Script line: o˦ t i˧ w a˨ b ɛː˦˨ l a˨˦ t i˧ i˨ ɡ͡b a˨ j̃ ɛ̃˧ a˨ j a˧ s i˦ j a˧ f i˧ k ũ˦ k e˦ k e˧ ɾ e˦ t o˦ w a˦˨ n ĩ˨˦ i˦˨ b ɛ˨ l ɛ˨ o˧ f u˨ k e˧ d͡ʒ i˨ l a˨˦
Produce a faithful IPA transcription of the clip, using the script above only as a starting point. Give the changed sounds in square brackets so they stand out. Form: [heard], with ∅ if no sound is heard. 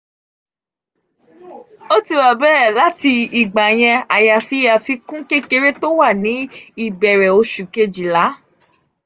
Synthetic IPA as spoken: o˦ t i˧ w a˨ b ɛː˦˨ l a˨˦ t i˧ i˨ ɡ͡b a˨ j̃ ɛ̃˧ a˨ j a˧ [f] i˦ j a˧ f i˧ k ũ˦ k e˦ k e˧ ɾ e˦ t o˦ w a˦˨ n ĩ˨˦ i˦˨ b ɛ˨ [ɾ] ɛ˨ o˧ [ʃ] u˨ k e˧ d͡ʒ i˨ l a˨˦